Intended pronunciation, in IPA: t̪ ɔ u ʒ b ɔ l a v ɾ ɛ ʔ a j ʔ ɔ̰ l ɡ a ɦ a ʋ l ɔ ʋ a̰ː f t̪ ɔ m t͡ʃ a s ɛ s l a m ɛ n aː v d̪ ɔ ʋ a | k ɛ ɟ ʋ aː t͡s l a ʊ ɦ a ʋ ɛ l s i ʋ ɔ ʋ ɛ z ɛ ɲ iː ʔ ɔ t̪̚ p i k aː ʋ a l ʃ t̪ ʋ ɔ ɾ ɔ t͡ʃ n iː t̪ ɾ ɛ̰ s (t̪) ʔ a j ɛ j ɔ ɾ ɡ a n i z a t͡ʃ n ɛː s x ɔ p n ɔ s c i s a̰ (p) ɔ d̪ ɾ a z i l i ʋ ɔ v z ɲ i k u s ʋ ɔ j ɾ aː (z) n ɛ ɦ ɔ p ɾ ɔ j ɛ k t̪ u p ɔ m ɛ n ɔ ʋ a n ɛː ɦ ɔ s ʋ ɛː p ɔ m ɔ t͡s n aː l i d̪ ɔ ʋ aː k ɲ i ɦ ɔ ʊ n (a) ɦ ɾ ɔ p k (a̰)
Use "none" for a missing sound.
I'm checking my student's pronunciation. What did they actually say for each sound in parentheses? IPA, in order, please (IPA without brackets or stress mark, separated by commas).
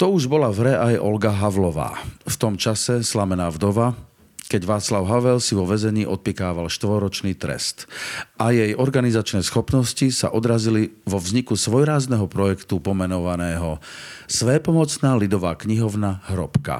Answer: t̪, ʔ, z, a, a̰